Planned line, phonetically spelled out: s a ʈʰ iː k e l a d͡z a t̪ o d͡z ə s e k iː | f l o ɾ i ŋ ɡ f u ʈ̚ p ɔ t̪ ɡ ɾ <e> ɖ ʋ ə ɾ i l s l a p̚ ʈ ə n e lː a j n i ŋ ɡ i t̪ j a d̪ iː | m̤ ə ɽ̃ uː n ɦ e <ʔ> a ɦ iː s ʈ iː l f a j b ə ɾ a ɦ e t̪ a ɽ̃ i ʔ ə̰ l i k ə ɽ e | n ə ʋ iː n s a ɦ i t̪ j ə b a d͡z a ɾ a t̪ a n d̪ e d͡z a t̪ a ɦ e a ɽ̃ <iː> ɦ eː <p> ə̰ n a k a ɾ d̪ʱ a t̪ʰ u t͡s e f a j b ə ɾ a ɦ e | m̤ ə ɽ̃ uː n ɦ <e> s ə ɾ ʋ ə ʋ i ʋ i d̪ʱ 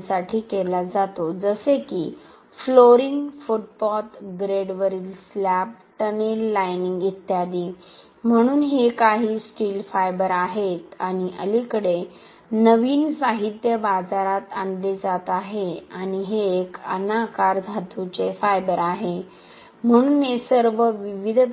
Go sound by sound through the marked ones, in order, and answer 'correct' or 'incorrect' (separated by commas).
correct, incorrect, incorrect, incorrect, correct